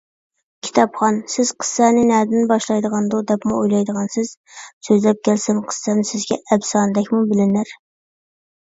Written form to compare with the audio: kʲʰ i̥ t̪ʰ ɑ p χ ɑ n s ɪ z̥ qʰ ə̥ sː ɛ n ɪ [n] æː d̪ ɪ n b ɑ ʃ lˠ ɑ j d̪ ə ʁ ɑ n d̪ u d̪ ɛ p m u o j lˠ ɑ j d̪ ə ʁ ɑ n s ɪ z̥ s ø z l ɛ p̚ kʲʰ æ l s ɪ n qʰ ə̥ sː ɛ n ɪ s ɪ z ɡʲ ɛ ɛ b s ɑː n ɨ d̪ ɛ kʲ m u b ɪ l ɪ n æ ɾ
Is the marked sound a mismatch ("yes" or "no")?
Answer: no